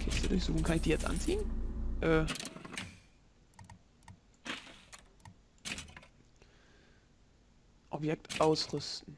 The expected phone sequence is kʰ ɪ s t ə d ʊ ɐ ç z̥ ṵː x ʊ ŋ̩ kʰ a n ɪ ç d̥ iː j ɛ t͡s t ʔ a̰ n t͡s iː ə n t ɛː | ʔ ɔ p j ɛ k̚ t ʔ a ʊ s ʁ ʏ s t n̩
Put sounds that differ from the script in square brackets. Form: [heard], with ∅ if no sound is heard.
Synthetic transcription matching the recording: kʰ ɪ s t ə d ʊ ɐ ç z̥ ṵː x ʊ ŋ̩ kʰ a n ɪ ç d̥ iː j ɛ t͡s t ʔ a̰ n t͡s iː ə n [ʔ] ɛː | ʔ ɔ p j ɛ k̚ t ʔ a ʊ s ʁ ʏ s t n̩